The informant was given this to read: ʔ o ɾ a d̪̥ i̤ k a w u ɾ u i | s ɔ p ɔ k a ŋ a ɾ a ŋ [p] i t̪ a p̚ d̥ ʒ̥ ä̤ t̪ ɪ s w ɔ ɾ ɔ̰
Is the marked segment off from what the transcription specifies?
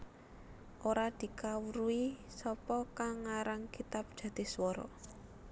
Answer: yes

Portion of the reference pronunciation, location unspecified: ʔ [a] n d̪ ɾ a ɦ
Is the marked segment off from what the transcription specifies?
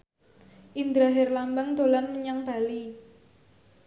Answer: yes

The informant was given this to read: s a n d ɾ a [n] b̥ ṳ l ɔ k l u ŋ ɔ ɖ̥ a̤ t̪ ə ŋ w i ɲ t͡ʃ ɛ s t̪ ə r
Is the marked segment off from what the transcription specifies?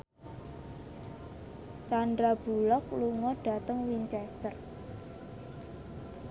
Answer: yes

